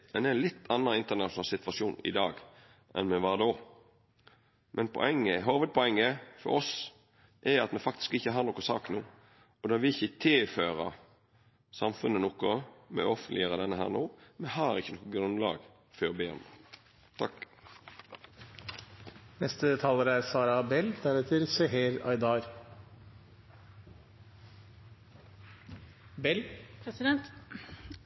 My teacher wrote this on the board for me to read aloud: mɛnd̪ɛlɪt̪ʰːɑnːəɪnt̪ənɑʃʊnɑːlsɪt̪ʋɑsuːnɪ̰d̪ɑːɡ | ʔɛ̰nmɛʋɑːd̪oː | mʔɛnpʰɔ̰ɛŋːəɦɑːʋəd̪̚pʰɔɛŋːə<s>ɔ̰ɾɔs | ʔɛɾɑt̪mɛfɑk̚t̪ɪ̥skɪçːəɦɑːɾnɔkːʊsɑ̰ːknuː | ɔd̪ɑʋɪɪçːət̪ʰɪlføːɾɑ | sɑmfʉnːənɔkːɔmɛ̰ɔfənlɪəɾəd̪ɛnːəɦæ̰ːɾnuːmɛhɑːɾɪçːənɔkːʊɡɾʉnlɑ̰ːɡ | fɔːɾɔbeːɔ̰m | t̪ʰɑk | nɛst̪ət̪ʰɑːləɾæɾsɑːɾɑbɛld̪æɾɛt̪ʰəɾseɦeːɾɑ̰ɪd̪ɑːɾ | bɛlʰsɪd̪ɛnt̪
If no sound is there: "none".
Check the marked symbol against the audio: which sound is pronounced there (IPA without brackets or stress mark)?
f